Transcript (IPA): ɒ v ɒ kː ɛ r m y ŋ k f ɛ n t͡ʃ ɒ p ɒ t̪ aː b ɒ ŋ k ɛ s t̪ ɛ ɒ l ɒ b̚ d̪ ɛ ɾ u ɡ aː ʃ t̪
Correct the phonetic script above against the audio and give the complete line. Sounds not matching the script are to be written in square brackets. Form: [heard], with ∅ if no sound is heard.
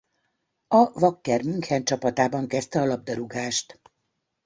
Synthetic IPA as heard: ɒ v ɒ kː ɛ r m y ŋ k [h] ɛ n t͡ʃ ɒ p ɒ t̪ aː b ɒ ŋ k ɛ s t̪ ɛ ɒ l ɒ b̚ d̪ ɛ ɾ u ɡ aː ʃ t̪